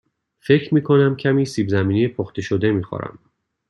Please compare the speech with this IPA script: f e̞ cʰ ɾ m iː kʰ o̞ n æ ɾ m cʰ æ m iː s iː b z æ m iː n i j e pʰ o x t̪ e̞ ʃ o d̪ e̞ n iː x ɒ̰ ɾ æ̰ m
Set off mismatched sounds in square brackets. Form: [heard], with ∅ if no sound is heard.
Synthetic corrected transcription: f e̞ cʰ ɾ m iː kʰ o̞ n æ [∅] m cʰ æ m iː s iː b z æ m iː n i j e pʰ o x t̪ e̞ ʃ o d̪ e̞ [m] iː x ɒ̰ ɾ æ̰ m

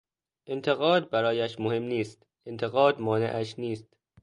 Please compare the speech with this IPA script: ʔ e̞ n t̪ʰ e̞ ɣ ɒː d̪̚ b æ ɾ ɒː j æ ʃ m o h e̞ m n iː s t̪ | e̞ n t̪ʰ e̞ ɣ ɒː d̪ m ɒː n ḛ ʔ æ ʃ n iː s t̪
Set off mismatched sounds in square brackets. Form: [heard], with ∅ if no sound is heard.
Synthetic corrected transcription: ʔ e̞ n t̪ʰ e̞ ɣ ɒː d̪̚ b æ ɾ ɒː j æ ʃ m o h e̞ m n iː s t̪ | e̞ n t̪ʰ e̞ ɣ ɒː d̪ m ɒː n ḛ ʔ æ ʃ n iː s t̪

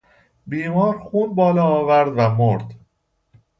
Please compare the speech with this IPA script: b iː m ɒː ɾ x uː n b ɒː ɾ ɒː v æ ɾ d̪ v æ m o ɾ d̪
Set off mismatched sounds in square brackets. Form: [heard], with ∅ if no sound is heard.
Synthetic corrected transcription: b iː m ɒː ɾ x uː n b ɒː [l] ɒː v æ ɾ d̪ v æ m o ɾ d̪

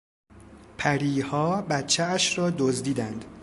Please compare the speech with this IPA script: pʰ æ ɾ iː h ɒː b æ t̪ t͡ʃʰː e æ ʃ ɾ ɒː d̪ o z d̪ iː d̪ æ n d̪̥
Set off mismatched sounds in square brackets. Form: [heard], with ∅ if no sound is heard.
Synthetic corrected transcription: pʰ æ ɾ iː h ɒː b æ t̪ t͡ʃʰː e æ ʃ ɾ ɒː d̪ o z d̪ iː d̪ æ n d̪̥

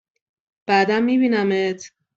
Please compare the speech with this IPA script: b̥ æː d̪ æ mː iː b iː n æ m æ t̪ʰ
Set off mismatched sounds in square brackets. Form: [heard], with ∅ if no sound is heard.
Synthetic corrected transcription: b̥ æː d̪ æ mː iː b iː n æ m [e] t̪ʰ

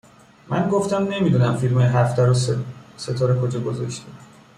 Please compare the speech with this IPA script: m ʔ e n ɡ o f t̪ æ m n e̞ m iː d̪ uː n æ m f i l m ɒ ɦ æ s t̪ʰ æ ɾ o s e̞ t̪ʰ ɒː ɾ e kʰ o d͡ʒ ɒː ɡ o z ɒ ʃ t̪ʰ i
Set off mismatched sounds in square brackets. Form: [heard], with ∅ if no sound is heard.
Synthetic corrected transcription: m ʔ [æ] n ɡ o f t̪ æ m n e̞ m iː d̪ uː n æ m f i l m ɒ ɦ æ [f] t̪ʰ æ ɾ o s e̞ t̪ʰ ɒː ɾ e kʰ o d͡ʒ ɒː ɡ o z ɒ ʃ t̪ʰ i

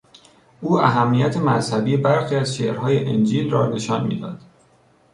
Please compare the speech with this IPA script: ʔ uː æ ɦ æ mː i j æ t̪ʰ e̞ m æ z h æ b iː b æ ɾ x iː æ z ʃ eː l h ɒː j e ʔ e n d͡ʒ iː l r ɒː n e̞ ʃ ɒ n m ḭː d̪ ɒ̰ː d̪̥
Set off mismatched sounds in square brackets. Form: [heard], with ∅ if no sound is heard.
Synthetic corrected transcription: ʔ uː æ ɦ æ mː i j æ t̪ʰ e̞ m æ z h æ b iː b æ ɾ x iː æ z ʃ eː [ɾ] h ɒː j e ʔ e n d͡ʒ iː l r ɒː n e̞ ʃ ɒ n m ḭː d̪ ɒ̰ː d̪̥

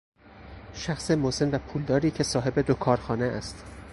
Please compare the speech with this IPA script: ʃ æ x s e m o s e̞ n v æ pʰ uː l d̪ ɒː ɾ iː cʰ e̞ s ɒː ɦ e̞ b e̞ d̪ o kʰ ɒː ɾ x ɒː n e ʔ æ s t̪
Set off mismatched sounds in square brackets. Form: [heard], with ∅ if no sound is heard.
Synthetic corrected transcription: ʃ æ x s e m o s e̞ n v æ pʰ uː l d̪ ɒː ɾ iː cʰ e̞ s ɒː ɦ e̞ b e̞ d̪ o kʰ ɒː ɾ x ɒː n e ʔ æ s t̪

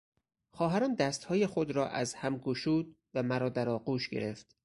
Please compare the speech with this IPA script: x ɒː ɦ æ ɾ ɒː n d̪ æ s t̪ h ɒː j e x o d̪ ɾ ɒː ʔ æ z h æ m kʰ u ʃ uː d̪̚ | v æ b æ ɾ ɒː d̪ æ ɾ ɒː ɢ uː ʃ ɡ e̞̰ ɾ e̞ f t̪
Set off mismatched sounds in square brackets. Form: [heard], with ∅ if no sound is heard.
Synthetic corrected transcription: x ɒː ɦ æ ɾ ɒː n d̪ æ s t̪ h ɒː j e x o d̪ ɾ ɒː ʔ æ z h æ m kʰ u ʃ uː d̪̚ | v æ [m] æ ɾ ɒː d̪ æ ɾ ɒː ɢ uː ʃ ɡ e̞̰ ɾ e̞ f t̪

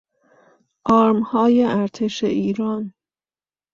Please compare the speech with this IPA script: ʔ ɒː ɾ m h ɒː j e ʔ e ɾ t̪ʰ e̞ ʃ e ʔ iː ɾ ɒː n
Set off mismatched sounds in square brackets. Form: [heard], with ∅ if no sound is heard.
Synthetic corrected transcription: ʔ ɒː ɾ m h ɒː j e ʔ [æ] ɾ t̪ʰ e̞ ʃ e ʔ iː ɾ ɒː n

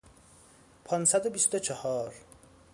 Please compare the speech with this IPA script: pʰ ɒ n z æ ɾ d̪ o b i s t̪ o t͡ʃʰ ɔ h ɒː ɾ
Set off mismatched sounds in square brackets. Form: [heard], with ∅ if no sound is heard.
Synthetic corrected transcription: pʰ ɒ n [s] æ [∅] d̪ o b i s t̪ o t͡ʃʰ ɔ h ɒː ɾ

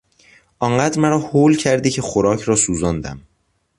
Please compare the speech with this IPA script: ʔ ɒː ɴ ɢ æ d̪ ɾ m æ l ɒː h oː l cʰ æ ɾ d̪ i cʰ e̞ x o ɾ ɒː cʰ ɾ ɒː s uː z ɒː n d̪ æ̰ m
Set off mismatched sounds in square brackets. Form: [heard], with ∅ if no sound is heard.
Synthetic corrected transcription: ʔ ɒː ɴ ɢ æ d̪ ɾ m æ [ɾ] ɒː h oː l cʰ æ ɾ d̪ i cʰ e̞ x o ɾ ɒː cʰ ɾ ɒː s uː z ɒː n d̪ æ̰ m

